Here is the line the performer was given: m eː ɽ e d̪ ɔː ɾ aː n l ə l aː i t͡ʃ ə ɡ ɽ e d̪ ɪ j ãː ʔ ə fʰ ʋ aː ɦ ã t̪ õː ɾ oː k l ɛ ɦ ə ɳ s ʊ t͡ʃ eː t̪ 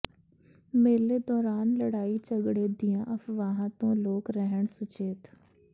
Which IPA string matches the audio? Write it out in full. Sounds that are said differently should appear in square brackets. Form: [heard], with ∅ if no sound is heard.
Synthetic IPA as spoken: m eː [l] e d̪ ɔː ɾ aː n l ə [ɽ] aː i t͡ʃ ə ɡ ɽ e d̪ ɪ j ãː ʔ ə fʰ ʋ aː ɦ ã t̪ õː [l] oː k [ɾ] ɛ ɦ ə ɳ s ʊ t͡ʃ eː t̪